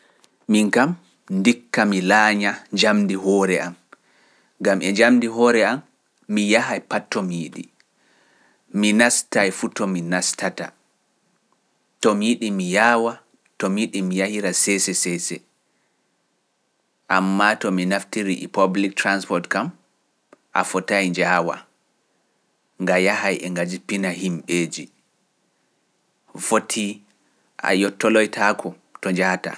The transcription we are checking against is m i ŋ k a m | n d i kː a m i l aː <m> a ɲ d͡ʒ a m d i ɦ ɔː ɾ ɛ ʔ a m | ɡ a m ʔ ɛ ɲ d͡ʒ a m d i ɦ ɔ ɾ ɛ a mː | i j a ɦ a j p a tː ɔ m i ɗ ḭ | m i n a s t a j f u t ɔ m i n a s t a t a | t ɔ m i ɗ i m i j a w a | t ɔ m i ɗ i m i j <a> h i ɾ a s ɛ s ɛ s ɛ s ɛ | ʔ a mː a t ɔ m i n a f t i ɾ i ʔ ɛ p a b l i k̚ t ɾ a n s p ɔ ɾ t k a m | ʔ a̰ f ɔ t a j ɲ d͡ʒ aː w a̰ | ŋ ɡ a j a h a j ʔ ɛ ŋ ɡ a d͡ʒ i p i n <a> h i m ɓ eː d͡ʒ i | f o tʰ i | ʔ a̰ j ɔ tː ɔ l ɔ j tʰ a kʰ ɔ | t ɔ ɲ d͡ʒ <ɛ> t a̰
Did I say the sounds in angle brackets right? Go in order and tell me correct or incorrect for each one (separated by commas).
incorrect, correct, correct, incorrect